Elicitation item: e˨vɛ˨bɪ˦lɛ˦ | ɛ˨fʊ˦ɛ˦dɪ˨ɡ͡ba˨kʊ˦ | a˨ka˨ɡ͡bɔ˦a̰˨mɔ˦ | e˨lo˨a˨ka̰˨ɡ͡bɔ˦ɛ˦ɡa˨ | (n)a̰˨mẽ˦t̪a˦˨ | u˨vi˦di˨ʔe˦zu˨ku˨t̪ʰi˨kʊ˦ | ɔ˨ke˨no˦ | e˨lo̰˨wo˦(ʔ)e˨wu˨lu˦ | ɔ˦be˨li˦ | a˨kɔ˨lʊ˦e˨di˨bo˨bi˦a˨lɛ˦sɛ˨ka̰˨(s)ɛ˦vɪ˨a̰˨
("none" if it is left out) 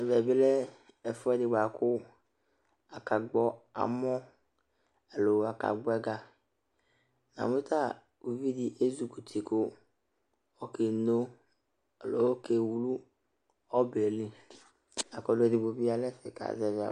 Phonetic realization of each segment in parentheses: n, k, z

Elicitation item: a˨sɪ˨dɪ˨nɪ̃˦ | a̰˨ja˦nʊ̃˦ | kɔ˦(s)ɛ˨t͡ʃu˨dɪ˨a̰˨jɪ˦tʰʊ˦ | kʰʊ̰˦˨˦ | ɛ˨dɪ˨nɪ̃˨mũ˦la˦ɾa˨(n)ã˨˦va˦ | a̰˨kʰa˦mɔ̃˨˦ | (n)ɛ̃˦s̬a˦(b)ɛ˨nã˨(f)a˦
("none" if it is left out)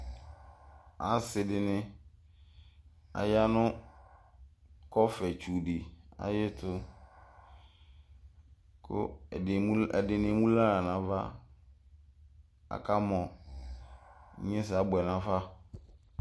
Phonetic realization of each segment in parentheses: f, n, ɲ, b, f

